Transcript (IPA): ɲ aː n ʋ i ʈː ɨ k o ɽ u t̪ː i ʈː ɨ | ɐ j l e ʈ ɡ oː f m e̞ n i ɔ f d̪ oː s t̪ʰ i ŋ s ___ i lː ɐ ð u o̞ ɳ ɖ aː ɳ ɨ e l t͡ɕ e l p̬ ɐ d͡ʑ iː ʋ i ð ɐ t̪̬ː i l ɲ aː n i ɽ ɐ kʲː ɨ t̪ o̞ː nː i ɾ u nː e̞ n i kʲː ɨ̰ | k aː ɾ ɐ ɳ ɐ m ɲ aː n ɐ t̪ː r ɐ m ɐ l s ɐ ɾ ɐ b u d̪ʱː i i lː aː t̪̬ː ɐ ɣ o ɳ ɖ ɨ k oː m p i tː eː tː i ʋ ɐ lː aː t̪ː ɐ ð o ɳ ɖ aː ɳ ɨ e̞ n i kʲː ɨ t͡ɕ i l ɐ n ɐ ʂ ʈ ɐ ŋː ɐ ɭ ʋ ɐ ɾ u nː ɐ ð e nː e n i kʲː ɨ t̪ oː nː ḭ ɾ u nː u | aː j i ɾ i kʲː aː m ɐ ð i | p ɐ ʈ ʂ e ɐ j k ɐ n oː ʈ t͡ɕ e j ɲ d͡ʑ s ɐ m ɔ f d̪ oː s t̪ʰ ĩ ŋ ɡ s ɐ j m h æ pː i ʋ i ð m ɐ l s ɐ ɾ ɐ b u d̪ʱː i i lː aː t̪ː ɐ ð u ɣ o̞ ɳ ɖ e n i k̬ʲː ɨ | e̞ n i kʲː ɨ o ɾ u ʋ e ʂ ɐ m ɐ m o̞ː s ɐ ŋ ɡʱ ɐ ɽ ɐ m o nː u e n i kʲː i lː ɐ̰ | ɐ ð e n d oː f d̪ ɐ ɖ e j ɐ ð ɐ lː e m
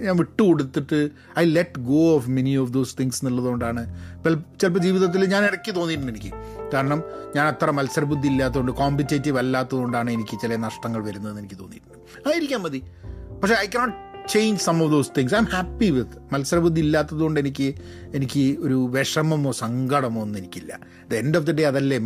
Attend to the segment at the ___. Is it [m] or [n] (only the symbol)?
n